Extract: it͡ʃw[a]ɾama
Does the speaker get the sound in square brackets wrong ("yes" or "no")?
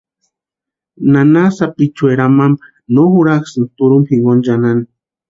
yes